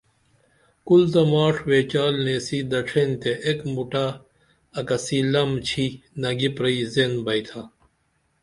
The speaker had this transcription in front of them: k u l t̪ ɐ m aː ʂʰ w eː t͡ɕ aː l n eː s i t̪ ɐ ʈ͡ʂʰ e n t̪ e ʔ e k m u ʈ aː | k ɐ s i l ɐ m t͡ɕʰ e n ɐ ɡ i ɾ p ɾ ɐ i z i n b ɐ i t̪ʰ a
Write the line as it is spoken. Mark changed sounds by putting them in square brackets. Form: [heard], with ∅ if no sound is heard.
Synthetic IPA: k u l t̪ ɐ m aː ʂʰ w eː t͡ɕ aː l n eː s i [d̪] ɐ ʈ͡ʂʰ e n t̪ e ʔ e k m u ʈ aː | k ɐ s i l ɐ m t͡ɕʰ [i] n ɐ ɡ i [∅] p ɾ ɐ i z [e] n b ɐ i t̪ʰ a